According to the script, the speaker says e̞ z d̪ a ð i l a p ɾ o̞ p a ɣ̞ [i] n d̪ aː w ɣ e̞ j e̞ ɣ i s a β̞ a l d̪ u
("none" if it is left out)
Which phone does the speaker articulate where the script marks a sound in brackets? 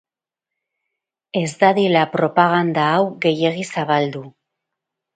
a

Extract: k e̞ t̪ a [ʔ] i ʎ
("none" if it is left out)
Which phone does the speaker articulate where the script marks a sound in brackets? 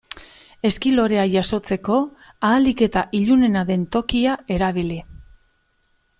ʔ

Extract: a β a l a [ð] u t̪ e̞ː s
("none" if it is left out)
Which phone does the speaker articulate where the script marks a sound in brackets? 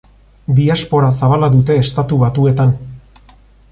ð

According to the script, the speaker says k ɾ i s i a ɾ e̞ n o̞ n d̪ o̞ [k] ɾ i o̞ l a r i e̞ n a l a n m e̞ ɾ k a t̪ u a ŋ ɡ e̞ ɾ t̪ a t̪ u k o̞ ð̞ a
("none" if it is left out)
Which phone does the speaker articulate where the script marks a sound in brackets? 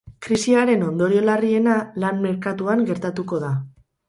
none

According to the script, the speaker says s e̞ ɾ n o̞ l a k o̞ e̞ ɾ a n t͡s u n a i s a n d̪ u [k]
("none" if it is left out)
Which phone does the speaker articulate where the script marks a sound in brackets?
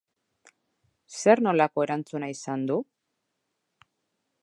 none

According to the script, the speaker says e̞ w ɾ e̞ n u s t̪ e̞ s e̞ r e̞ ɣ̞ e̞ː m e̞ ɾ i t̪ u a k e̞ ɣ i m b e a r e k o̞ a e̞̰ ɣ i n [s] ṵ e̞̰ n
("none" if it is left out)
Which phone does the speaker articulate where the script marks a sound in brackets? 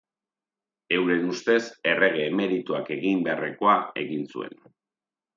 s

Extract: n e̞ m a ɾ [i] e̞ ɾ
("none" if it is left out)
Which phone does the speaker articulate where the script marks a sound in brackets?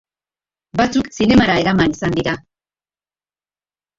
a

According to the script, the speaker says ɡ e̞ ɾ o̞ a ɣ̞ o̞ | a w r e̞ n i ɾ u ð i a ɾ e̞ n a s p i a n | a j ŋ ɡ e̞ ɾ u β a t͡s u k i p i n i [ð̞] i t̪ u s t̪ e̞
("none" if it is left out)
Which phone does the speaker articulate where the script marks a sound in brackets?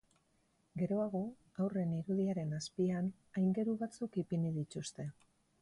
ð̞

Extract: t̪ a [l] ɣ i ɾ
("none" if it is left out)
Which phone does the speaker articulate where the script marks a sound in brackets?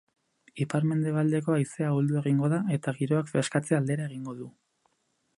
none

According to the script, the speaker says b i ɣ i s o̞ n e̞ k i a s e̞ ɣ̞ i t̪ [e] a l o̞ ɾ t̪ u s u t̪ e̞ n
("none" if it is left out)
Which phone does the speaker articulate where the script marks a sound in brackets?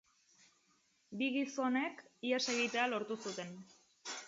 e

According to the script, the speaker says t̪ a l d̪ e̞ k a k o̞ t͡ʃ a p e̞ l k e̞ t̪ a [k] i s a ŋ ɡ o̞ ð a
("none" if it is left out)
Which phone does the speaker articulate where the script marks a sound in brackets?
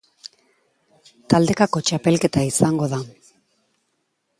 none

